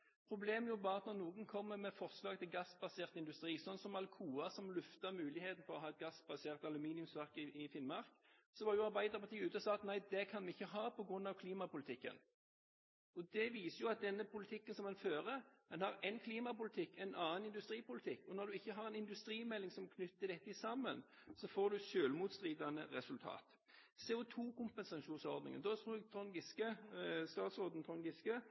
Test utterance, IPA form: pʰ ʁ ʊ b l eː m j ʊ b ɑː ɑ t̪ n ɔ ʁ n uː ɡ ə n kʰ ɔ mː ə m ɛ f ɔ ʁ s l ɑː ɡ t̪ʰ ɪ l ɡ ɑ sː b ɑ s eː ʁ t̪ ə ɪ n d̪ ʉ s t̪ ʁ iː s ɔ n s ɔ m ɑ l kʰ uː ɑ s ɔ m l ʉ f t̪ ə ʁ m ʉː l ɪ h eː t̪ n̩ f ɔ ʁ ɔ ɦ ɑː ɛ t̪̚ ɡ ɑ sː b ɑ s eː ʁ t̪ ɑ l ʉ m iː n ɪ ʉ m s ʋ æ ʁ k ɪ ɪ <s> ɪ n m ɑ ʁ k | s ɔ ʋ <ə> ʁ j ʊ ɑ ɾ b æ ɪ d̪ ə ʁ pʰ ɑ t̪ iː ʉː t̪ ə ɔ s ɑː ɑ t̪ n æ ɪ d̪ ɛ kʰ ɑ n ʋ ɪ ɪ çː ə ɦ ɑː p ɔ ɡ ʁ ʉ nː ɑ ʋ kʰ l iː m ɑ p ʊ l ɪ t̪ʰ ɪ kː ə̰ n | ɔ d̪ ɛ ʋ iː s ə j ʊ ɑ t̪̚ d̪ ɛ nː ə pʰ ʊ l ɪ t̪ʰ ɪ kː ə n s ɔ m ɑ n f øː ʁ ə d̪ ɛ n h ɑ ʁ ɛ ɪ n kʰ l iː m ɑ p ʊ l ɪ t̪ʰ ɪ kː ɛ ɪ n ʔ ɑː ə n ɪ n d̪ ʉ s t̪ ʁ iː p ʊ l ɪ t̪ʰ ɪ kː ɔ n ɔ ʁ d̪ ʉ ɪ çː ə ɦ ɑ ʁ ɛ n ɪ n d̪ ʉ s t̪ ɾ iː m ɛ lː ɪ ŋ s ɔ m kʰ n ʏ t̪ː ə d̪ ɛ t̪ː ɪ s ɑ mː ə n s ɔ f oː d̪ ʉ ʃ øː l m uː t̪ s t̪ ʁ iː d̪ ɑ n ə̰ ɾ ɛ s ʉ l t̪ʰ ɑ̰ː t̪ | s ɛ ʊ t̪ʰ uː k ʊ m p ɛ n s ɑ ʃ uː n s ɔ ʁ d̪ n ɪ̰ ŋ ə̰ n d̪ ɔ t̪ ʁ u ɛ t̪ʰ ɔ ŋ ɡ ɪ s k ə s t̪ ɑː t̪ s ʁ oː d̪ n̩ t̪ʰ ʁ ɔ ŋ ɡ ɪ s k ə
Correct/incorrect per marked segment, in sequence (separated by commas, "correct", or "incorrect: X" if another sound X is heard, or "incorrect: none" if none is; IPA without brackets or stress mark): incorrect: f, incorrect: ɑ